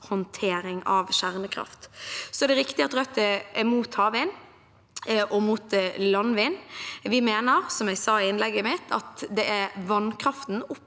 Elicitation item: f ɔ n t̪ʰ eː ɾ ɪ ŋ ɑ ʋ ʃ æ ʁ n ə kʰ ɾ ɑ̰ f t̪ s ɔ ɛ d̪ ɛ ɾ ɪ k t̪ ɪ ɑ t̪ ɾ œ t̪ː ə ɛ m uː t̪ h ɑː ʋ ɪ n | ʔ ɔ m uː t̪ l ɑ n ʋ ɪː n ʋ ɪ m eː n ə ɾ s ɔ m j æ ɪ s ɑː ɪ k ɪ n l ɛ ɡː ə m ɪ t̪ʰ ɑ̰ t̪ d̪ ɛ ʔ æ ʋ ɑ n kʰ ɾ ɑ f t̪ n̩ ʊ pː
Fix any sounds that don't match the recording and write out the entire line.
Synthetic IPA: h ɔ n t̪ʰ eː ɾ ɪ ŋ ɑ ʋ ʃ æ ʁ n ə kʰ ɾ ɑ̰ f t̪ s ɔ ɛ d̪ ɛ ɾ ɪ k t̪ ɪ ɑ t̪ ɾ œ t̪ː ə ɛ m uː t̪ h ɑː ʋ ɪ n | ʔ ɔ m uː t̪ l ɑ n ʋ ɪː n ʋ ɪ m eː n ə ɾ s ɔ m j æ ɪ s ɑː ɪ ɪ n l ɛ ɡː ə m ɪ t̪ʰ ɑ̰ t̪ d̪ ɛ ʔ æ ʋ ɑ n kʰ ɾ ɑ f t̪ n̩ ʊ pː